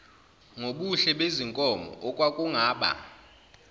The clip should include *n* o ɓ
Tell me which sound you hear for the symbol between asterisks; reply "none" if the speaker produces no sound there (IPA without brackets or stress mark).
ŋ